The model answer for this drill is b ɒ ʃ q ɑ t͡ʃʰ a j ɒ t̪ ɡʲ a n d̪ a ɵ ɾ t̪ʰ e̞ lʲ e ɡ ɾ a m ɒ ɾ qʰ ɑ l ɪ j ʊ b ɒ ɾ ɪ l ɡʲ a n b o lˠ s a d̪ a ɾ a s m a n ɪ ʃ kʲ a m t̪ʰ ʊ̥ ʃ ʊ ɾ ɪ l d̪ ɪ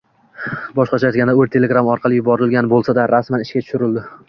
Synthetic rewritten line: b ɒ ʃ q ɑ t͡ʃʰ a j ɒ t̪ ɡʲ a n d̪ a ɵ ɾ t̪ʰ e̞ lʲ e ɡ ɾ a m ɒ ɾ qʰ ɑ l ɪ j ʊ b ɒ ɾ ɪ l ɡʲ a n b o lˠ s a d̪ a ɾ a s m a n ɪ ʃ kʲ a t̪ʰ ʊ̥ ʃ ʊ ɾ ɪ l d̪ ɪ